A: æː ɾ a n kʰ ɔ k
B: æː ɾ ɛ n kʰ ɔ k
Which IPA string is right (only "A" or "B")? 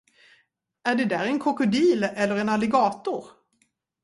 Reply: B